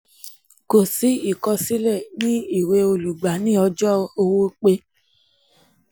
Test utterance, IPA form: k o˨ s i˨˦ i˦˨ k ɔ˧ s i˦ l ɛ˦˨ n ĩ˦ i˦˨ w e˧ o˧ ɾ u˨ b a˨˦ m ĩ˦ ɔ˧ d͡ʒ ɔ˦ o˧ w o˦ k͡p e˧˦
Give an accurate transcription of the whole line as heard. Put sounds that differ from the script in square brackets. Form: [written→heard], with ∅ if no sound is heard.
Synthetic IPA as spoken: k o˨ s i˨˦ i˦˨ k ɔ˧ s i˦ l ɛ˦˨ n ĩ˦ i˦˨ w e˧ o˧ [ɾ→l] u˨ [b→ɡ͡b] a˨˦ [m→n] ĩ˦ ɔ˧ d͡ʒ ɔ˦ o˧ w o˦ k͡p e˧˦

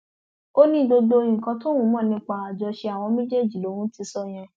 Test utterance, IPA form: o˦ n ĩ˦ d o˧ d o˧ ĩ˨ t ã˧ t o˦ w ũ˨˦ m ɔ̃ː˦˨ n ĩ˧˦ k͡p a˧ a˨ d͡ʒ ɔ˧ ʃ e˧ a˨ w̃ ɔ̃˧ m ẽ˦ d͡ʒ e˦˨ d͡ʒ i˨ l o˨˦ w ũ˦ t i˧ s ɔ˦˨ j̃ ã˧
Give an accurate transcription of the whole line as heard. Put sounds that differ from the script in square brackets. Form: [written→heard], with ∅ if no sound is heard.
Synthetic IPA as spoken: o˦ n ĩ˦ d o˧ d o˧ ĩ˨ [t→k] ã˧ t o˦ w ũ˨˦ m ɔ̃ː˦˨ n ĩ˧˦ k͡p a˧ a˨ d͡ʒ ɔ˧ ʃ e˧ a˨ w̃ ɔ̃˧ m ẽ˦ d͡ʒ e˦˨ d͡ʒ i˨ l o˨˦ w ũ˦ t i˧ s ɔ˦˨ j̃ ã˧

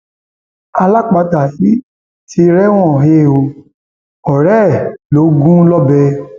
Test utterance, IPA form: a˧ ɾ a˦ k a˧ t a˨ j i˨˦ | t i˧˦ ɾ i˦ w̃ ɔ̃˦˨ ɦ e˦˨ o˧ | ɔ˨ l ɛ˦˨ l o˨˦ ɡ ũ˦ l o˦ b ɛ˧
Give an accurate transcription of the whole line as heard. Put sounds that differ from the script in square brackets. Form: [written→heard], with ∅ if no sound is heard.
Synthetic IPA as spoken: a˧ [ɾ→l] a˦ [k→k͡p] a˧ t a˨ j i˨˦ | t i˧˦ ɾ [i˦→ɛ˦] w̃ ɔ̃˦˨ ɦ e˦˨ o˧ | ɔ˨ [l→ɾ] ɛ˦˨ l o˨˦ ɡ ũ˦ l [o˦→ɔ˦] b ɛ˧

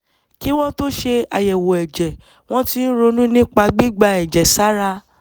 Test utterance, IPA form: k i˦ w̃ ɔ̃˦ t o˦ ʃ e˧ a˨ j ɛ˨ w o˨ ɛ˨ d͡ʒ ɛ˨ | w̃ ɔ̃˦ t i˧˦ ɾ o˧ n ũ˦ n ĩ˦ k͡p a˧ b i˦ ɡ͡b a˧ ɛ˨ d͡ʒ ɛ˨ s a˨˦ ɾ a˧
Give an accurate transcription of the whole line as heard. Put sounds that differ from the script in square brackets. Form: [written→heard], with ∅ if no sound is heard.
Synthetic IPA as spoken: k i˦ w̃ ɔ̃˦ t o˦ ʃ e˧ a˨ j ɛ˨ w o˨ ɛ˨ d͡ʒ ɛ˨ | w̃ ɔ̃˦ t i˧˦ ɾ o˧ n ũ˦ n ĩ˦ k͡p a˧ [b→ɡ͡b] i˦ ɡ͡b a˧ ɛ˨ d͡ʒ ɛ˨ s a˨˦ ɾ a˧

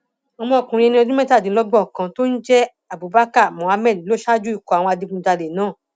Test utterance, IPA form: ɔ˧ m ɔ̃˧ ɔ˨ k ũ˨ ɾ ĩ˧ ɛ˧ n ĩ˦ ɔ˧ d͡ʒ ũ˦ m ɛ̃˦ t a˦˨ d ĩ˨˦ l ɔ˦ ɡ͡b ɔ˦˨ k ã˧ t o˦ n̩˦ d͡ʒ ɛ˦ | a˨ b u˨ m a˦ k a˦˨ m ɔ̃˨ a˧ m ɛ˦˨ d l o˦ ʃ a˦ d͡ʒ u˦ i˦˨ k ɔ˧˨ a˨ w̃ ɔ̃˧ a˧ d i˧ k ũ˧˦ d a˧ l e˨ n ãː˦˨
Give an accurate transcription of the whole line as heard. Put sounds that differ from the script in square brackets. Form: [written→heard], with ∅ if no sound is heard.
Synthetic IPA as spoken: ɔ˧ m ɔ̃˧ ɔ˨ k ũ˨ ɾ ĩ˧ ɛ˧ n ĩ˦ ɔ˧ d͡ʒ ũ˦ m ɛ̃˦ t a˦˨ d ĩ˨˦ l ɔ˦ ɡ͡b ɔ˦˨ k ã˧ t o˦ n̩˦ d͡ʒ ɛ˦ | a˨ b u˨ [m→b] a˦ k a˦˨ m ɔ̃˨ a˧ m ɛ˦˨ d l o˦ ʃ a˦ d͡ʒ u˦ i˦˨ k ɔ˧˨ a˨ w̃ ɔ̃˧ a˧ d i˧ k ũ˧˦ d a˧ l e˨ n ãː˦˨

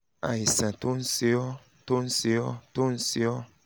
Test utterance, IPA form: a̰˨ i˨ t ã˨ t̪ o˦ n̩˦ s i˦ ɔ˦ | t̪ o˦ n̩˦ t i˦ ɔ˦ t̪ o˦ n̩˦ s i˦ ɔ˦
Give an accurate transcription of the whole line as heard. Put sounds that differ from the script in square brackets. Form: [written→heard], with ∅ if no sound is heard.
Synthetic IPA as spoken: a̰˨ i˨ [t→s] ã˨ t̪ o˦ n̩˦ s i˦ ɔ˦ | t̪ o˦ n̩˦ [t→s] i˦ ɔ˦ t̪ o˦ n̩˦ s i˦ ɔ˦

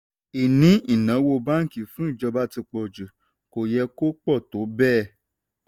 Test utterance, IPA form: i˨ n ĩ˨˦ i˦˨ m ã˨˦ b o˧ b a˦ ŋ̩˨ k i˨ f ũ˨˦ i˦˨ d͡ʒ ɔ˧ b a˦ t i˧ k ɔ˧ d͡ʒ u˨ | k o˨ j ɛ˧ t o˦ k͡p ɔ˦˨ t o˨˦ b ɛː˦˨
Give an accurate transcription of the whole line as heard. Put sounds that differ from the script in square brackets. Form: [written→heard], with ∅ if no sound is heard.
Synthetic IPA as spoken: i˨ n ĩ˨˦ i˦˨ [m→n] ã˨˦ [b→w] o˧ b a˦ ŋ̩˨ k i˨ f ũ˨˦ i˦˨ d͡ʒ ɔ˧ b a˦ t i˧ [k→k͡p] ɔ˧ d͡ʒ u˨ | k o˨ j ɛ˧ [t→k] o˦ k͡p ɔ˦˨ t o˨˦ b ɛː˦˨

